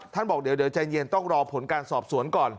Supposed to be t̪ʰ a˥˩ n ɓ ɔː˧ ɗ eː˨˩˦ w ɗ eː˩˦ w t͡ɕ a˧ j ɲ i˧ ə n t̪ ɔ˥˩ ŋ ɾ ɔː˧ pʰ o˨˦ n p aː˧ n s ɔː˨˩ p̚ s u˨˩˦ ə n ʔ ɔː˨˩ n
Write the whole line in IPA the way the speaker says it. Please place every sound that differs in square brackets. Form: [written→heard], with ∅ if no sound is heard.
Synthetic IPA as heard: t̪ʰ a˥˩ n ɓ [ɔː˧→ɔː˨˩] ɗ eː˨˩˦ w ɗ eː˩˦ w t͡ɕ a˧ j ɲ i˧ ə n t̪ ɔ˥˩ ŋ ɾ ɔː˧ pʰ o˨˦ n [p→k] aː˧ n s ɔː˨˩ p̚ s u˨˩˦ ə n [ʔ→k] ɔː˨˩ n